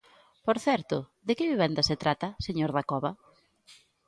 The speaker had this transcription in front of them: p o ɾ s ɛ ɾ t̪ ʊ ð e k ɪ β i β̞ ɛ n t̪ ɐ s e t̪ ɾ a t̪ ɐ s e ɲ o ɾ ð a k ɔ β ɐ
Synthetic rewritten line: p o ɾ θ ɛ ɾ t̪ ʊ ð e k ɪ β i β̞ ɛ n d̪ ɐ s e t̪ ɾ a t̪ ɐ s e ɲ o ɾ ð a k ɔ β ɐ